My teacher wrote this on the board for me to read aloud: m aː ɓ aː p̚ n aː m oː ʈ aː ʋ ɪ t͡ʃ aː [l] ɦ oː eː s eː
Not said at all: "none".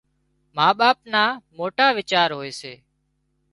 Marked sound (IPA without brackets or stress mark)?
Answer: ɾ